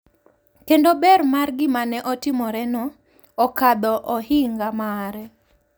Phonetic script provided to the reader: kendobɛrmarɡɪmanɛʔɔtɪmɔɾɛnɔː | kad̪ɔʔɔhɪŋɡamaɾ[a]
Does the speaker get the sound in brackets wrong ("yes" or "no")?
yes